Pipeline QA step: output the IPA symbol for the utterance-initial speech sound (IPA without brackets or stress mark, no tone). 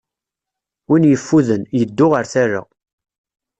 w